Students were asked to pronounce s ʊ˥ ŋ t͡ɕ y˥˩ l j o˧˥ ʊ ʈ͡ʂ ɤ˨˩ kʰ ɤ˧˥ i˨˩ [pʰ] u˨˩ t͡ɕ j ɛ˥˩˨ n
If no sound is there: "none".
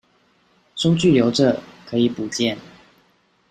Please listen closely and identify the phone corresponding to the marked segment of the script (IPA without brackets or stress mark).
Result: p